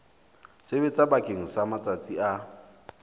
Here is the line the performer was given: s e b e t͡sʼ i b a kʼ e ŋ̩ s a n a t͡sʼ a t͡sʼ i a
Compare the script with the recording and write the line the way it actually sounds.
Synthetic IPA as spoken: s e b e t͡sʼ a b a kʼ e ŋ̩ s a m a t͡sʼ a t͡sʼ i a